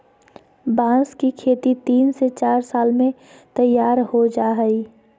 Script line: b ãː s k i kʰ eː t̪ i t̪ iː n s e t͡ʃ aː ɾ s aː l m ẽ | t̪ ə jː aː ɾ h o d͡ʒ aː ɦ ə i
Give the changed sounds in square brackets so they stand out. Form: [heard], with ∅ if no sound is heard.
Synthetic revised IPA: b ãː s k i kʰ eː t̪ i t̪ iː n s e t͡ʃ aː ɾ s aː l m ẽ | t̪ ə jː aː ɾ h o d͡ʒ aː ɦ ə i